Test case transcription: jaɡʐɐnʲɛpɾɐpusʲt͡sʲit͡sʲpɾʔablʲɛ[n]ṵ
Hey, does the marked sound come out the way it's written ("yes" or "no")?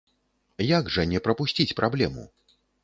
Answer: no